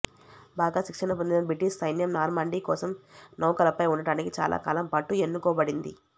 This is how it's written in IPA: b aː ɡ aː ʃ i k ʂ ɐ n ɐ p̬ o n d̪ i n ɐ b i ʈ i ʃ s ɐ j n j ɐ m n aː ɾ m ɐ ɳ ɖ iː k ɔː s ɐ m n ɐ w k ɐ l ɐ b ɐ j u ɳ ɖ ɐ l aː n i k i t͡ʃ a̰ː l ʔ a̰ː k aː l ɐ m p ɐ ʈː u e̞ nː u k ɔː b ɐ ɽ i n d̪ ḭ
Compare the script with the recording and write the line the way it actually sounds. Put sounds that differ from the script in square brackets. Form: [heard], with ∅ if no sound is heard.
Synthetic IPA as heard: b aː ɡ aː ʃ i k ʂ ɐ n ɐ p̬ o n d̪ i n ɐ b i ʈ i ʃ s ɐ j n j ɐ m n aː ɾ m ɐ ɳ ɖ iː k ɔː s ɐ m n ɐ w k ɐ l ɐ [p] ɐ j u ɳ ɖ ɐ [ɽ] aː n i k i t͡ʃ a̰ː l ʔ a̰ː k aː l ɐ m p ɐ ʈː u e̞ nː u k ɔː b ɐ ɽ i n d̪ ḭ